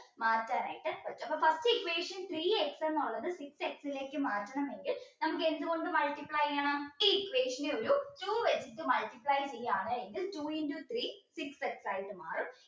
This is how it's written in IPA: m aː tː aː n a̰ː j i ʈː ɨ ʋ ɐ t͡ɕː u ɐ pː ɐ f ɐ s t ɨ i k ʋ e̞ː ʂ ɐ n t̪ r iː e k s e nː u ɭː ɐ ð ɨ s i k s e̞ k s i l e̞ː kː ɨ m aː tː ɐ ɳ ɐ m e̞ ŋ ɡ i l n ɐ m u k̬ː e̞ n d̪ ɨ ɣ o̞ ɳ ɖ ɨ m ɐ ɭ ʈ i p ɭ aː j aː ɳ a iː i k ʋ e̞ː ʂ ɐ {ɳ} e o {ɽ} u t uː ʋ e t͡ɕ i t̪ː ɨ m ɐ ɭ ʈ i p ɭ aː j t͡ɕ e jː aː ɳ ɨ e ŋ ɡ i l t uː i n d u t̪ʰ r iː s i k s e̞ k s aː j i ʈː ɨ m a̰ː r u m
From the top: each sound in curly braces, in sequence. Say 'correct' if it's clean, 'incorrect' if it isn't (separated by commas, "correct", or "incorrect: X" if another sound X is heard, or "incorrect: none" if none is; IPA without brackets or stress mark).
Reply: incorrect: n, incorrect: ɾ